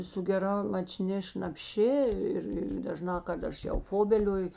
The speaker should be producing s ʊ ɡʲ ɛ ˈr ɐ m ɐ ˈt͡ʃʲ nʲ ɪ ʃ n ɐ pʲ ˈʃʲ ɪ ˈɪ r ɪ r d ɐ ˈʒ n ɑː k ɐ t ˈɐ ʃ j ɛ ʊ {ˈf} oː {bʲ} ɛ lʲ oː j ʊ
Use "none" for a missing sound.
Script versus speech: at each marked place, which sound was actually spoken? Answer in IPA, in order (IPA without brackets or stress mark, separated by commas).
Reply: f, bʲ